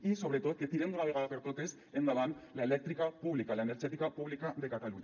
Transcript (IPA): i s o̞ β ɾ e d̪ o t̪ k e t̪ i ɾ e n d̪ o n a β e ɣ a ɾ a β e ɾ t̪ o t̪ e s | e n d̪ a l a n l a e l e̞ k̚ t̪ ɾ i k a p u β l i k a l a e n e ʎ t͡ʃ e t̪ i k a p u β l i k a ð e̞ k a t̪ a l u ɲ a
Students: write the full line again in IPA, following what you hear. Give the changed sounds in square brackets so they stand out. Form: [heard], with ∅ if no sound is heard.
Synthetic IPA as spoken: i s o̞ β ɾ e [t̪] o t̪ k e t̪ i ɾ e n d̪ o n a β e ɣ a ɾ a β e ɾ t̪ o t̪ e s | e n d̪ a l a n l a e l e̞ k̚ t̪ ɾ i k a p u β l i k a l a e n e [ɾ] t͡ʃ e t̪ i k a p u β l i k a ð e̞ k a t̪ a l u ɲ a